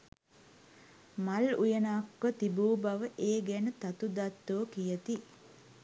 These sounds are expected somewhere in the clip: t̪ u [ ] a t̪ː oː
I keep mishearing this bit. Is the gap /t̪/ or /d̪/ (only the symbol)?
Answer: d̪